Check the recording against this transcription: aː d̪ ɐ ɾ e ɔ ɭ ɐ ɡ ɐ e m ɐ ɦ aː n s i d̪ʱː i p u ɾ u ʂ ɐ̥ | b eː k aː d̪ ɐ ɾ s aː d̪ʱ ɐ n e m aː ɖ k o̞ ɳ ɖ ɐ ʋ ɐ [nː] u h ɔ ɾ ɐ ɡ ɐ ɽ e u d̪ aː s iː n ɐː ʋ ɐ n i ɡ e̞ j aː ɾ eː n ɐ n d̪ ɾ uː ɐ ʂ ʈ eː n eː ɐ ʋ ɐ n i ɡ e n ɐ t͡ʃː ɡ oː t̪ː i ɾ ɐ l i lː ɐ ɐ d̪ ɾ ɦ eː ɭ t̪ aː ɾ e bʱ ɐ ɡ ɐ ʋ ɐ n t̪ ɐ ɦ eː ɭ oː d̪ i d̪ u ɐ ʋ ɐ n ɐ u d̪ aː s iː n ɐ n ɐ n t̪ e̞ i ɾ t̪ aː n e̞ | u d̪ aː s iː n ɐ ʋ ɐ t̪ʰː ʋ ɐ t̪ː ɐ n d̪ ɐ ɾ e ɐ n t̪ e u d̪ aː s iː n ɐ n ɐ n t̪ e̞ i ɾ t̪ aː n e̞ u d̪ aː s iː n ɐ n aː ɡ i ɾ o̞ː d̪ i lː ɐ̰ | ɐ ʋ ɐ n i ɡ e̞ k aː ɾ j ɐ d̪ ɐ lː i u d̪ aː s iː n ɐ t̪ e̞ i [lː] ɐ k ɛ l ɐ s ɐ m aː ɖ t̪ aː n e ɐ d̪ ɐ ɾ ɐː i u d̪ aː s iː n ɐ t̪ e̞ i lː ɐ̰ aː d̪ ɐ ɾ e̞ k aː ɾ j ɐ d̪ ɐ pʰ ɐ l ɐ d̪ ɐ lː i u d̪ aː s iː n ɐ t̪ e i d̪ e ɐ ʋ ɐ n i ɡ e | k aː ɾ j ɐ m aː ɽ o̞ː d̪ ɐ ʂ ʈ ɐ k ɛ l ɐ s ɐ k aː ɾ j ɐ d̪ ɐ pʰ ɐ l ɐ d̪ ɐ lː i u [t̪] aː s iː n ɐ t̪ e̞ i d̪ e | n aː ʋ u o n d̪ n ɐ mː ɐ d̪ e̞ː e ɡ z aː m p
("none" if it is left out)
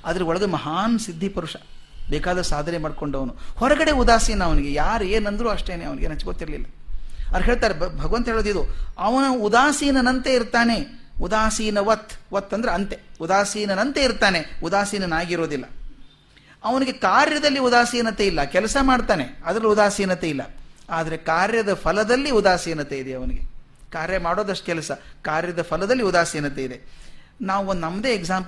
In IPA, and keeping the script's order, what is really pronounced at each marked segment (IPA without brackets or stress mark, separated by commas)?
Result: n, lː, d̪